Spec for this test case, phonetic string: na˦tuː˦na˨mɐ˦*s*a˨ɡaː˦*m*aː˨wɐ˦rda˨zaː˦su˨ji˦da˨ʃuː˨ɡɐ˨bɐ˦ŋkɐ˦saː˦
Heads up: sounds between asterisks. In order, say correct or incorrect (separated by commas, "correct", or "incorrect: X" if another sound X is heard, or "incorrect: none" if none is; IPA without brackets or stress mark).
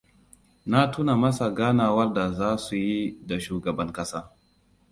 correct, incorrect: n